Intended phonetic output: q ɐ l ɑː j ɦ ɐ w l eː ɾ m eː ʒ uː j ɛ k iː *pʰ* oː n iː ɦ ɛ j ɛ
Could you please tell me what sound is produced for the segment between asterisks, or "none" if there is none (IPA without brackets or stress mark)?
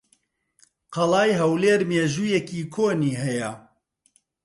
kʰ